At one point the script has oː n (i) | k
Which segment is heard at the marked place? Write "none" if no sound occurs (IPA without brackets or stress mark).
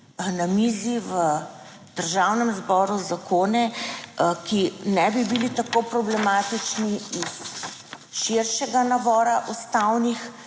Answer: ɛ